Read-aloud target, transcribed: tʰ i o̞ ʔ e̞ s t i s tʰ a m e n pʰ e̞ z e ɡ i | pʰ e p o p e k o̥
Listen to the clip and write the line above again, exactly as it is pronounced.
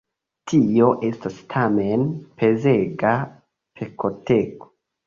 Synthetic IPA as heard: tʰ i o̞ ʔ e̞ s t a s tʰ a m e n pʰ e̞ z e ɡ a | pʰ e k o t e k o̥

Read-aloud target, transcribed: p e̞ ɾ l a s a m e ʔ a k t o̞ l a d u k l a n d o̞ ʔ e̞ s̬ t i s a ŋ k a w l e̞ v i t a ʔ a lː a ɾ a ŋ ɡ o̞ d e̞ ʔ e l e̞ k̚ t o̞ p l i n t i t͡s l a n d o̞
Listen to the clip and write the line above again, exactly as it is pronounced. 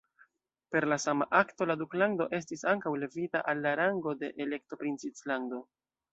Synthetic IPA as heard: p e̞ ɾ l a s a m a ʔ a k t o̞ l a d u k l a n d o̞ ʔ e̞ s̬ t i s a ŋ k a w l e̞ v i t a ʔ a lː a ɾ a ŋ ɡ o̞ d e̞ ʔ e l e̞ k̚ t o̞ p ɾ i n t͡s i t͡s l a n d o̞

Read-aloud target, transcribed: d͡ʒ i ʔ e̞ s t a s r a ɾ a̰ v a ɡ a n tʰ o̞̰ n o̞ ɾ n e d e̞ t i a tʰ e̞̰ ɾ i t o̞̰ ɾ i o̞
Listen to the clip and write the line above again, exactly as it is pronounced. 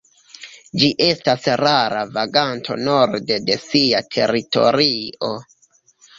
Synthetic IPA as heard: d͡ʒ i ʔ e̞ s t a s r a ɾ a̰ v a ɡ a n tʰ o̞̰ n o̞ ɾ d e d e̞ s i a tʰ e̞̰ ɾ i t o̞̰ ɾ i o̞

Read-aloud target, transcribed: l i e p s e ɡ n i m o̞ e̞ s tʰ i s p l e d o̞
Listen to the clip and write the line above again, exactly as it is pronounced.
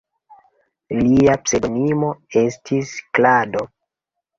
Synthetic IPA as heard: l i a p s e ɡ n i m o̞ e̞ s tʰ i s k l a d o̞

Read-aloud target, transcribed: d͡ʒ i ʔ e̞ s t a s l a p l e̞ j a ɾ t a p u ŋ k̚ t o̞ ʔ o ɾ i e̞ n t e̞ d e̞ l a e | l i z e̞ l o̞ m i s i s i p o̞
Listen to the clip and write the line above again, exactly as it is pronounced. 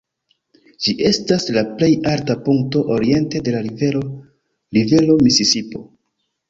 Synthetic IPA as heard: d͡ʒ i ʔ e̞ s t a s l a p l e̞ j a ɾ t a p u ŋ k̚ t o̞ ʔ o ɾ i e̞ n t e̞ d e̞ l a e | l i v e̞ l o̞ m i s i s i p o̞

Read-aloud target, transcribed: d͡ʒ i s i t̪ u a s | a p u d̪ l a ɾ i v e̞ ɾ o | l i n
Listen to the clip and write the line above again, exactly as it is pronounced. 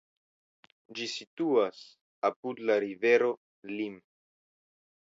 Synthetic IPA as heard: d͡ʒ i s i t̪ u a s | a p u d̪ l a ɾ i v e̞ ɾ o | l i m

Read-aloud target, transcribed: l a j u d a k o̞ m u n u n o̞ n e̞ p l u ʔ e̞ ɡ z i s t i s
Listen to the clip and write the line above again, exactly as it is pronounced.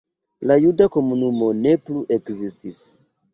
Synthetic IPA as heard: l a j u d a k o̞ m u n u m o̞ n e̞ p l u ʔ e̞ k z i s t i s

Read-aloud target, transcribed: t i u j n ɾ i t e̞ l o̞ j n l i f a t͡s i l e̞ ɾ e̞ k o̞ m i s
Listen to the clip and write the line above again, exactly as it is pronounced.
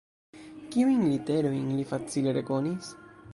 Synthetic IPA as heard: k i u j n l i t e̞ ɾ o̞ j n l i f a t͡s i l e̞ ɾ e̞ k o̞ n i s

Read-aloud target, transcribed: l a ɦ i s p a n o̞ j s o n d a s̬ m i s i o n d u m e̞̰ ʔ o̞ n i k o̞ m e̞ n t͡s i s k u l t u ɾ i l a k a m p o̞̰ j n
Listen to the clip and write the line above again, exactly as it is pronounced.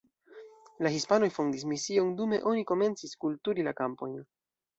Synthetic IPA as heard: l a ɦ i s p a n o̞ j f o n d i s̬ m i s i o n d u m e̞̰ ʔ o̞ n i k o̞ m e̞ n t͡s i s k u l t u ɾ i l a k a m p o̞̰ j n

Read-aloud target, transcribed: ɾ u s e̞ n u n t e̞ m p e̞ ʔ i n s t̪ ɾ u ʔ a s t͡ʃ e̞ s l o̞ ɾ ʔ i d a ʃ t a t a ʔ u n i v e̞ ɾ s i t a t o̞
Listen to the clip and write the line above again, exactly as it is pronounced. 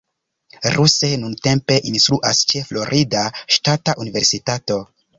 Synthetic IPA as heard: ɾ u s e̞ n u n t e̞ m p e̞ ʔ i n s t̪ ɾ u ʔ a s t͡ʃ e̞ f l o̞ ɾ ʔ i d a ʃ t a t a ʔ u n i v e̞ ɾ s i t a t o̞

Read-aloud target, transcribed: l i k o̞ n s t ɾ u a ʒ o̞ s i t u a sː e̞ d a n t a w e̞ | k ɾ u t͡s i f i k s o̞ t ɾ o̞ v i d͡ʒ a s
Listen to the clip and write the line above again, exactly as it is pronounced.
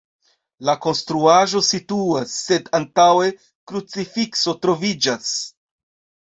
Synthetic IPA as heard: l a k o̞ n s t ɾ u a ʒ o̞ s i t u a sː e̞ d a n t a w e̞ | k ɾ u t͡s i f i k s o̞ t ɾ o̞ v i d͡ʒ a s

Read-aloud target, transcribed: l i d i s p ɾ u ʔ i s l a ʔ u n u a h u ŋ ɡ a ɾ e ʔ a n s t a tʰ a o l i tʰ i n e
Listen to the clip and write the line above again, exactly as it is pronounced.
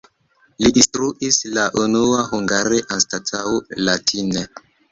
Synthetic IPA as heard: l i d i s t ɾ u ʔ i s l a ʔ u n u a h u ŋ ɡ a ɾ e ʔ a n s t a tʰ a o l a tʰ i n e

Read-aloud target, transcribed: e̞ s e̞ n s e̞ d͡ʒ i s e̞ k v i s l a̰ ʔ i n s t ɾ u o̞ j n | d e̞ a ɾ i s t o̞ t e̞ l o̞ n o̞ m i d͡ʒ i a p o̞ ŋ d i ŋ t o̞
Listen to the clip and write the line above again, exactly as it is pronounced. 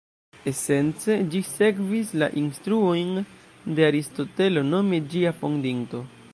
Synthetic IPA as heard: e̞ s e̞ n t͡s e̞ d͡ʒ i s e̞ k v i s l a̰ ʔ i n s t ɾ u o̞ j n | d e̞ a ɾ i s t o̞ t e̞ l o̞ n o̞ m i d͡ʒ i a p o̞ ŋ d i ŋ t o̞

